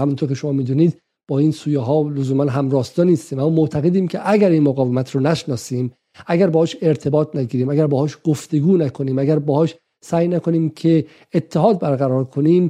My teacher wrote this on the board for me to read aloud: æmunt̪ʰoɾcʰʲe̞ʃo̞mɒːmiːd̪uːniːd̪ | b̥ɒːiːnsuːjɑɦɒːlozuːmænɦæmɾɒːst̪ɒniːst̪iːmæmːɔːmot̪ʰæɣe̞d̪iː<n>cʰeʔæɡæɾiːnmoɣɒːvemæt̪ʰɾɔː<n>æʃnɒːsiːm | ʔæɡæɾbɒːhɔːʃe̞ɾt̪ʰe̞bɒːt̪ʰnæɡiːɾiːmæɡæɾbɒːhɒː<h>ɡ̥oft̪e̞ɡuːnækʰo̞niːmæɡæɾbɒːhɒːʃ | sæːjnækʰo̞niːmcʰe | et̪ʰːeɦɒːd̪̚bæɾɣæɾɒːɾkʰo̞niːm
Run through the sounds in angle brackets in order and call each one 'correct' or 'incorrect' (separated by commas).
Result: incorrect, correct, incorrect